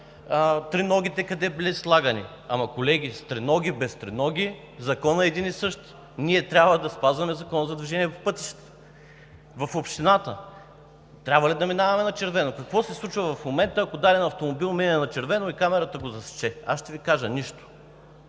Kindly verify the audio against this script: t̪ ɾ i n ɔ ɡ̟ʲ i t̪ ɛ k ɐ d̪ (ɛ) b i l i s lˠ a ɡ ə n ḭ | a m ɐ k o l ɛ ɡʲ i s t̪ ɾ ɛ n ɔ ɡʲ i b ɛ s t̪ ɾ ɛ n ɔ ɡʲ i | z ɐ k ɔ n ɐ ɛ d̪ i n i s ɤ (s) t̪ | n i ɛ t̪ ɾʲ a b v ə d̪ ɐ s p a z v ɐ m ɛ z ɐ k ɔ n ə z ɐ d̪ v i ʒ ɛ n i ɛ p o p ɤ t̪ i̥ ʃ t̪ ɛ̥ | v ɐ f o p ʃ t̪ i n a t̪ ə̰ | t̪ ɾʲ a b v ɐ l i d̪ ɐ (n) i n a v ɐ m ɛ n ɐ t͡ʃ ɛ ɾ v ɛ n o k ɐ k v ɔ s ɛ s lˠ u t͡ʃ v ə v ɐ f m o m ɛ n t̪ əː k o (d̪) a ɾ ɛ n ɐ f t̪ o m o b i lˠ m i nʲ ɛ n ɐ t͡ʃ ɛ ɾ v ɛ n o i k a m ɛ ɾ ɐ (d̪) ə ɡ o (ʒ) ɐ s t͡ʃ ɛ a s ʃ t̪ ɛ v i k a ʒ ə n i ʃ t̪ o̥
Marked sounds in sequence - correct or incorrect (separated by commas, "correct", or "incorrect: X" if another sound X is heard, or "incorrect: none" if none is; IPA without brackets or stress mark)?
correct, incorrect: ʃ, incorrect: m, correct, incorrect: t̪, incorrect: z